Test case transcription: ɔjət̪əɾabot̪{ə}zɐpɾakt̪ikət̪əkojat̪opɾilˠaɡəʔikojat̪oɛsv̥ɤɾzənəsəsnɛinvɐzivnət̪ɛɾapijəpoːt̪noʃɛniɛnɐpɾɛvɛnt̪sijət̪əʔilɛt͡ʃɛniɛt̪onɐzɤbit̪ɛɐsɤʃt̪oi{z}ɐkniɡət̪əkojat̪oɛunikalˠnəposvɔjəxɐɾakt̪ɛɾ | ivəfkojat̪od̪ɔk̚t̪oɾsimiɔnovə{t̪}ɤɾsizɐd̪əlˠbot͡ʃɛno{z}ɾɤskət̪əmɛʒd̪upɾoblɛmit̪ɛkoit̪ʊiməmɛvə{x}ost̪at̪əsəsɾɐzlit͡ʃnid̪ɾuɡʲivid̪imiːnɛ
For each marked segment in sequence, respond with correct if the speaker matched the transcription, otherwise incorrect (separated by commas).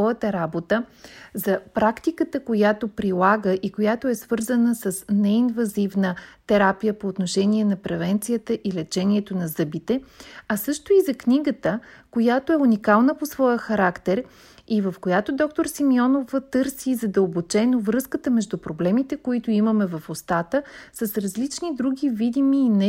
correct, correct, correct, incorrect, incorrect